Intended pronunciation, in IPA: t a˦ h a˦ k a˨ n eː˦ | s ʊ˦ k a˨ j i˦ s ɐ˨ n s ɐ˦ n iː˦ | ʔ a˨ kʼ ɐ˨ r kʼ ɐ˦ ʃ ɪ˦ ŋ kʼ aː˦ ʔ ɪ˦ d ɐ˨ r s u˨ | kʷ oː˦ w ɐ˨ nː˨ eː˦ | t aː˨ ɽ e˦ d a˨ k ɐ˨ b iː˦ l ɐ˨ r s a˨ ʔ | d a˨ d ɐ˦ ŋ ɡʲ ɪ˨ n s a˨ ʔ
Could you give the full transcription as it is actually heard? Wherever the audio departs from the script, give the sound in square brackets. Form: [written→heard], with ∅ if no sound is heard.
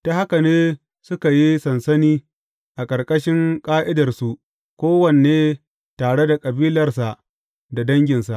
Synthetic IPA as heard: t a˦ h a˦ k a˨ n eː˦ | s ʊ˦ k a˨ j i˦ s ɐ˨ n s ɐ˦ n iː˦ | ʔ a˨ kʼ ɐ˨ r kʼ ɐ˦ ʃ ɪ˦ ŋ kʼ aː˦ ʔ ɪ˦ d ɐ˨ r s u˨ | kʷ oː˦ w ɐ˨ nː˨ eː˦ | t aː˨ ɽ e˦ d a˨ [k→kʼ] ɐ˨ b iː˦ l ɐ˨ r s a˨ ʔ | d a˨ d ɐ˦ ŋ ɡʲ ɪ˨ n s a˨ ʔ